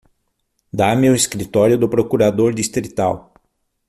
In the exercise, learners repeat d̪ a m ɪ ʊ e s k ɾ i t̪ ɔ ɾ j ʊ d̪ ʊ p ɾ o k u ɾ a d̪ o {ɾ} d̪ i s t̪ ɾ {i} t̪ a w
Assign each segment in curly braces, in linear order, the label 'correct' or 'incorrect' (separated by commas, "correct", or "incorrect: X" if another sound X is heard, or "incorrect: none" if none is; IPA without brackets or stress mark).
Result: correct, correct